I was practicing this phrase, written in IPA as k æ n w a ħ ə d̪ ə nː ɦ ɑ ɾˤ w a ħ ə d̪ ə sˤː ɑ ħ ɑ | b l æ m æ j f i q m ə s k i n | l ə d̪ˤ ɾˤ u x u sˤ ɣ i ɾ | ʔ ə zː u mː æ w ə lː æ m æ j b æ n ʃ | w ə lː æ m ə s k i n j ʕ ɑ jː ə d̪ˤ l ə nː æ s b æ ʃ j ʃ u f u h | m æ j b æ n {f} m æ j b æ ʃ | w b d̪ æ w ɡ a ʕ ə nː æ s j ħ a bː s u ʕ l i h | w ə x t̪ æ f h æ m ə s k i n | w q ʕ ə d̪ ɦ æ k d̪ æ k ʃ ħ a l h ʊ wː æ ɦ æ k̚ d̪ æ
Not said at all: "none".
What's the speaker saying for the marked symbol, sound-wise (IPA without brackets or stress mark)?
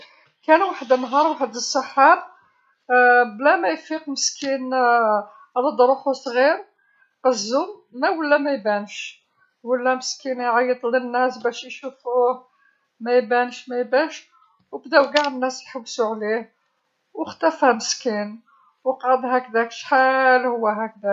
ʃ